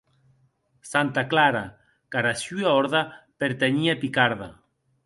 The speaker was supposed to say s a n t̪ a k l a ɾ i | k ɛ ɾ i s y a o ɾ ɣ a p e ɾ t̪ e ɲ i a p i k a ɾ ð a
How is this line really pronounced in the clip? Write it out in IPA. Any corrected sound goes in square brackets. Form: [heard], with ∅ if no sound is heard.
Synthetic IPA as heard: s a n t̪ a k l a ɾ [a] | k [a] ɾ [a] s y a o ɾ [ð] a p e ɾ t̪ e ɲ i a p i k a ɾ ð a